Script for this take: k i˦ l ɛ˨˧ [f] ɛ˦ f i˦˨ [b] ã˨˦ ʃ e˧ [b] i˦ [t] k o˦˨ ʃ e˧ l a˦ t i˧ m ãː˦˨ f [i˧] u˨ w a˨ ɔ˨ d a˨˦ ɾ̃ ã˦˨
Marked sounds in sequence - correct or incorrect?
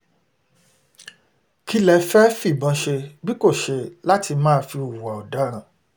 correct, correct, correct, incorrect: none, correct

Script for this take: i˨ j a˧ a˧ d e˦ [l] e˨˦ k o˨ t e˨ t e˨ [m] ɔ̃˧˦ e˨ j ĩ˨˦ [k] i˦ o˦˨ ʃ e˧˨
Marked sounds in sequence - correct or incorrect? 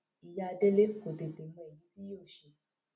correct, correct, incorrect: t

